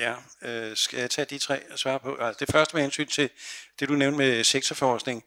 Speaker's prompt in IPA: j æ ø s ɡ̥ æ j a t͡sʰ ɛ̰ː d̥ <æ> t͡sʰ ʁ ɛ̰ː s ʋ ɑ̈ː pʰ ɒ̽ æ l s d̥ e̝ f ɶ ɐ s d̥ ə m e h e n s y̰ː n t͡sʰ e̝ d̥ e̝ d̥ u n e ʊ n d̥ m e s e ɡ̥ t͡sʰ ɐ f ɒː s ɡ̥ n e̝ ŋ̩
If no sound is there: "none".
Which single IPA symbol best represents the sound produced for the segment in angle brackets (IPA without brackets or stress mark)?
i